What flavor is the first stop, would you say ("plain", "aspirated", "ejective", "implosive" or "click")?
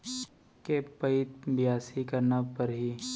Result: plain